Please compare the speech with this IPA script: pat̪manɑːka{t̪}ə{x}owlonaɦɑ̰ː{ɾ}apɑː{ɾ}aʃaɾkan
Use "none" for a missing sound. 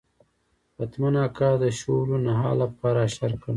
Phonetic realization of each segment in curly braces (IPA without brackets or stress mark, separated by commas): d̪, ʃ, l, ɾ